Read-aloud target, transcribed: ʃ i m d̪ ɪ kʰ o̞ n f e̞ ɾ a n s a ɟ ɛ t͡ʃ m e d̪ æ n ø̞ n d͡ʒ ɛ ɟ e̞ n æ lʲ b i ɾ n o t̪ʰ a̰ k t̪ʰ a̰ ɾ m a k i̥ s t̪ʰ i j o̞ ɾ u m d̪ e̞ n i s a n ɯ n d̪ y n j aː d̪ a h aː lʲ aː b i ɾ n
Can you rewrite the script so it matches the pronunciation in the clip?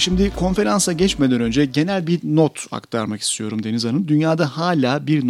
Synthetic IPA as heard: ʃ i m d̪ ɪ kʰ o̞ n f e̞ ɾ a n s a ɟ ɛ t͡ʃ m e d̪ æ n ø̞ n d͡ʒ ɛ ɟ e̞ n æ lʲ b i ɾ n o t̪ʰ a̰ k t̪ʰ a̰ ɾ m a k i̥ s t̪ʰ i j o̞ ɾ u m d̪ e̞ n i z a n ɯ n d̪ y n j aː d̪ a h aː lʲ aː b i ɾ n